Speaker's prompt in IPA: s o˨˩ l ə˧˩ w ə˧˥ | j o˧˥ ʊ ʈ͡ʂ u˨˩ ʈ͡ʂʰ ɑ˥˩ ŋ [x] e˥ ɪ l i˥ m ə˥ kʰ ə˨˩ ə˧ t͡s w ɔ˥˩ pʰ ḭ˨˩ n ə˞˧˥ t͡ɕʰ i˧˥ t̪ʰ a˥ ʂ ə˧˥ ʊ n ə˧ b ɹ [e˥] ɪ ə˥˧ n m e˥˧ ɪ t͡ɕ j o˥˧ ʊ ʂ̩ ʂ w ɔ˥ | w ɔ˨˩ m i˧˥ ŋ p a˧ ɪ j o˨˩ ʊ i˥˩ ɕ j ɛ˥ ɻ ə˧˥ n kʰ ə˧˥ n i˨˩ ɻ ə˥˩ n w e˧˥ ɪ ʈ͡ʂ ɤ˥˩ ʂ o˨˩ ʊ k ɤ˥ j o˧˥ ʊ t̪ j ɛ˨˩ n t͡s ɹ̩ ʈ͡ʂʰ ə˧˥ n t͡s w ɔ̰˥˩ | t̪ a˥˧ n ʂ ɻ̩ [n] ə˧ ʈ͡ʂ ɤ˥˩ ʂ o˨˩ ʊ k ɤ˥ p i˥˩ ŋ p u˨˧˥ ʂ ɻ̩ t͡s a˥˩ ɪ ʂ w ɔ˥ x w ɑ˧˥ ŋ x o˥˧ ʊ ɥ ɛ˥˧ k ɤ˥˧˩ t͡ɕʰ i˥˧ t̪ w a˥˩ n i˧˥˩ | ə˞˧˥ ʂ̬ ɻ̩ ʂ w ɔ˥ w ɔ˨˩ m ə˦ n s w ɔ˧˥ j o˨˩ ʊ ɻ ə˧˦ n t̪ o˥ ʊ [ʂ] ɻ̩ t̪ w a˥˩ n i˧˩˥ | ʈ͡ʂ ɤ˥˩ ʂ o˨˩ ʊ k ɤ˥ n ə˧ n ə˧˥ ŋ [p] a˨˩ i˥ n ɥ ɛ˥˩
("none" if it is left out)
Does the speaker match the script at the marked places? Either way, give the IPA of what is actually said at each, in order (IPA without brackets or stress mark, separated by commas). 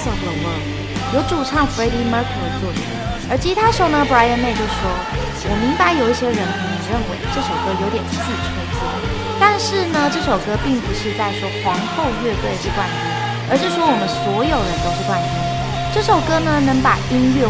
f, a˥, n, ʂ, p